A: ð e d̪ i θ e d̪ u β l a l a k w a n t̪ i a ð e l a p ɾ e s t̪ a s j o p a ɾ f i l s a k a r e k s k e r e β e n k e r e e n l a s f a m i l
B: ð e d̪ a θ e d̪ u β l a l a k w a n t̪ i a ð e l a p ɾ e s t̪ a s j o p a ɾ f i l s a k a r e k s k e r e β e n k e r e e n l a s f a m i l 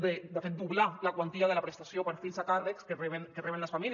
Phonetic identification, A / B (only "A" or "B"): B